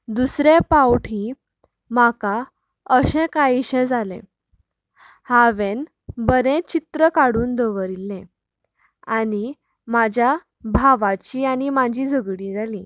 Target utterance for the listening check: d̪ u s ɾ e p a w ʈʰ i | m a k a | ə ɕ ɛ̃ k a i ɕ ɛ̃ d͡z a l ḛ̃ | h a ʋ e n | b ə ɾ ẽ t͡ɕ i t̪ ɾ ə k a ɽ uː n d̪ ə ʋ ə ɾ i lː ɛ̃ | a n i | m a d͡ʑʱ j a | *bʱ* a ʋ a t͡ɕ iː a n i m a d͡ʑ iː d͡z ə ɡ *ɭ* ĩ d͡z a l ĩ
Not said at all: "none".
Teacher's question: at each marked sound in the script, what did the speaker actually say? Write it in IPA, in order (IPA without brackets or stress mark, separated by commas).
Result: bʱ, ɽ